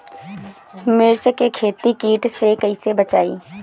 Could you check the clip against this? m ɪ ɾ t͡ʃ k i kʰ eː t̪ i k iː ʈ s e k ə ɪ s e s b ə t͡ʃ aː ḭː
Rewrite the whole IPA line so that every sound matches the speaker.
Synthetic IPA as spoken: m ɪ ɾ t͡ʃ k e kʰ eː t̪ i k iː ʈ s e k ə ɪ s e b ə t͡ʃ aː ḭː